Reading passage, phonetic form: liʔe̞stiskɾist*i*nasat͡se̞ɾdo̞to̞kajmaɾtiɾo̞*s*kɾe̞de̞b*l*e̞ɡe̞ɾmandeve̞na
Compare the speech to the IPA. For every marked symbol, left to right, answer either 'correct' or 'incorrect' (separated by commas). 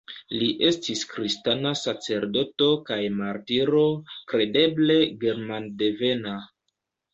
incorrect, incorrect, correct